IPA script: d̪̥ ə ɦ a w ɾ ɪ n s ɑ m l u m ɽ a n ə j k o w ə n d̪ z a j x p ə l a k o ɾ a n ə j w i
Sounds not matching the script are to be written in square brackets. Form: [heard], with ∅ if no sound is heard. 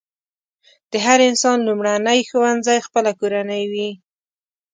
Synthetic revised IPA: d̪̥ ə ɦ a [∅] ɾ ɪ n s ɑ [n] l u m ɽ a n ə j [x] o w [a] n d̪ z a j x p ə l a k o ɾ a n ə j w i

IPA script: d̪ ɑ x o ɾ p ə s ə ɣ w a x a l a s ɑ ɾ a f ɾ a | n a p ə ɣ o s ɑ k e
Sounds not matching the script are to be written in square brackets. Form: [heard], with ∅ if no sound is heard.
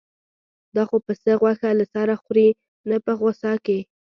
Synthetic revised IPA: d̪ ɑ x o [∅] p ə s ə ɣ w a x a l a s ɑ ɾ a [x] ɾ [i] | n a p ə ɣ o s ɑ k e

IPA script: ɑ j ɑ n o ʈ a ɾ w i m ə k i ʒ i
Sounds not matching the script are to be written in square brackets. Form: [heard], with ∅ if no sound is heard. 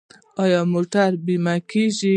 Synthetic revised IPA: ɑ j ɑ [m] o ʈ a ɾ [b] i m [a] k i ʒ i

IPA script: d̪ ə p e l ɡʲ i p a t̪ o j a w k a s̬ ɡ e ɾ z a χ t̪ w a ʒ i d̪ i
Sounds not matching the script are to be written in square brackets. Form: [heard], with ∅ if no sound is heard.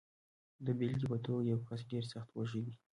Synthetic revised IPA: d̪ ə [b] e l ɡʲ i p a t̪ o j a w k a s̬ ɡ e ɾ [s] a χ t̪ w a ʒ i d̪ i

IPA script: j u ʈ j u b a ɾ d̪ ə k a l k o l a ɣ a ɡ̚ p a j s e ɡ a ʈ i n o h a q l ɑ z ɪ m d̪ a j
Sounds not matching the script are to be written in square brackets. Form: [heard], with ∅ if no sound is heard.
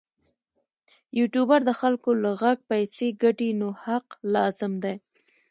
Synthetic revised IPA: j u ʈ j u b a ɾ d̪ ə [x] a l k o l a ɣ a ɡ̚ p a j s e ɡ a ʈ i n o h a q l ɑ z ɪ m d̪ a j

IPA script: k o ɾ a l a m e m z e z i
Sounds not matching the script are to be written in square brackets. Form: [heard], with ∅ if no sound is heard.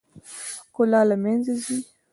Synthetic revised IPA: k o [l] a l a m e [n] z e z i

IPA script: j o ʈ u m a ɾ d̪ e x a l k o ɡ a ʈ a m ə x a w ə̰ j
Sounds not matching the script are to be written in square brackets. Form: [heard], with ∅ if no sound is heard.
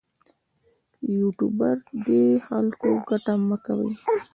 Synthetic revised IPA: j [u] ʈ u [b] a ɾ d̪ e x a l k o ɡ a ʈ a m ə [k] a w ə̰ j

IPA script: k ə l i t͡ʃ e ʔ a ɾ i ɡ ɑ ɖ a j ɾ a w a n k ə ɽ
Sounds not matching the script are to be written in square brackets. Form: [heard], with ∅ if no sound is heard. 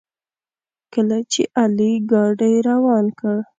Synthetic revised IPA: k ə l [a] t͡ʃ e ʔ a [l] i ɡ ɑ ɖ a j ɾ a w [ɑ] n k ə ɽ

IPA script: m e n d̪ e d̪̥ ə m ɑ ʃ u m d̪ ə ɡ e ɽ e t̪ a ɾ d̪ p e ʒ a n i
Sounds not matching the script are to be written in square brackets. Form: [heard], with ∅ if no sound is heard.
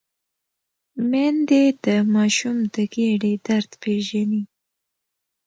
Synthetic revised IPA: m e n d̪ e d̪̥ ə m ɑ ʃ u m d̪ ə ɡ e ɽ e [d̪] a ɾ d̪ p e ʒ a n i

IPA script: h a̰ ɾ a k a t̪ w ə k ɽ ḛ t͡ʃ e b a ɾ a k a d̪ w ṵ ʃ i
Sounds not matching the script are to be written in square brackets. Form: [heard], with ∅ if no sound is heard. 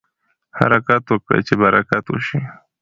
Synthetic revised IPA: h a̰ ɾ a k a t̪ w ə k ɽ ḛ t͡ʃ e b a ɾ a k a [t̪] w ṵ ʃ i

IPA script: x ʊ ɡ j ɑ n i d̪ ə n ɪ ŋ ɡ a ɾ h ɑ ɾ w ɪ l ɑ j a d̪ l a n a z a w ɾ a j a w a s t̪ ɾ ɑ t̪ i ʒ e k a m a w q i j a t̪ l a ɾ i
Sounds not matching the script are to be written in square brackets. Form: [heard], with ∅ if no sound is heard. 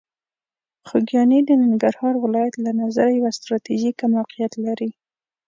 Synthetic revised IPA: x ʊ ɡ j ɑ n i d̪ ə n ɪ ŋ ɡ a ɾ h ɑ ɾ w ɪ l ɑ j a [t̪] l a n a z a [∅] ɾ a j a w a s t̪ ɾ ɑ t̪ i ʒ [i] k a m a w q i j a t̪ l a ɾ i

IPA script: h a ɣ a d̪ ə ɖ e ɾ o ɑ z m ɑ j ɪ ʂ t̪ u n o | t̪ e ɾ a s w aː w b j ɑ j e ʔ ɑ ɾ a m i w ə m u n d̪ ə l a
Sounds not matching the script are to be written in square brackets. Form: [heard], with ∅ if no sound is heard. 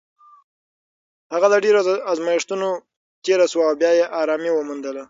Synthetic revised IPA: h a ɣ a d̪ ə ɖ e ɾ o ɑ z m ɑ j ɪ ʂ t̪ u n o | t̪ e ɾ a s w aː w b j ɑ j e ʔ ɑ ɾ [ɑ] m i w ə m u n d̪ ə l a

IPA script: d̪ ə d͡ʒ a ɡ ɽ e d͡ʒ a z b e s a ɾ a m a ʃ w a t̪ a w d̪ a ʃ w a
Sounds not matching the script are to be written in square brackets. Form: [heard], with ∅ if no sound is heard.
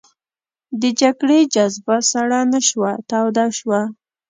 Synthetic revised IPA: d̪ ə d͡ʒ a ɡ ɽ e d͡ʒ a z b [a] s a [ɽ] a [n] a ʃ w a t̪ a w d̪ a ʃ w a

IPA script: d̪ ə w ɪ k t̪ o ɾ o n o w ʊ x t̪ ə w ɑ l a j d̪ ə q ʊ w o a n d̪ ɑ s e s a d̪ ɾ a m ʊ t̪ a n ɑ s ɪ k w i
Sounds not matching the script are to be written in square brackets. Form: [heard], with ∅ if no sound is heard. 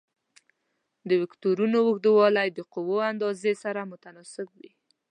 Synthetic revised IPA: d̪ ə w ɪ k t̪ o ɾ [u] n o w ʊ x [d̪] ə w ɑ l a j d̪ ə q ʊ w o a n d̪ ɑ [z] e s a [∅] ɾ a m ʊ t̪ a n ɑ s ɪ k w i

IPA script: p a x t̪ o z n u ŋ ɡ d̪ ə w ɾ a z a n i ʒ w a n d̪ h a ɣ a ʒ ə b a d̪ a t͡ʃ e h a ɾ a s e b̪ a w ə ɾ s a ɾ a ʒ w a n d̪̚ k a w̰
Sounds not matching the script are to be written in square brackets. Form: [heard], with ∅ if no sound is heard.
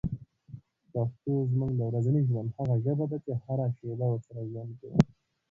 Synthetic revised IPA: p a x t̪ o z [m] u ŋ ɡ d̪ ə w ɾ a z a n i ʒ w a n d̪ h a ɣ a ʒ ə b a d̪ a t͡ʃ e h a ɾ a [ʃ] e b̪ a w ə ɾ s a ɾ a ʒ w a n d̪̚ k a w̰

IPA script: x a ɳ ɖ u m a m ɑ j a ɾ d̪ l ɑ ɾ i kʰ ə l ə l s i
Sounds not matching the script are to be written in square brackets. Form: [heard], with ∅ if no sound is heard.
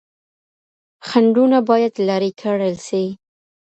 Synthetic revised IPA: x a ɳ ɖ u [n] a [b] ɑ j a [∅] d̪ l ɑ ɾ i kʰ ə [ɽ] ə l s i

